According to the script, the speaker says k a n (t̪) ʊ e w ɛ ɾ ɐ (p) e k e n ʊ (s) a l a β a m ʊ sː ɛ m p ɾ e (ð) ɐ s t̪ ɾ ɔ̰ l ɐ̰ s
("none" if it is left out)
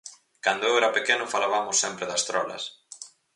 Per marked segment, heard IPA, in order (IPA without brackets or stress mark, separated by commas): d̪, p, f, ð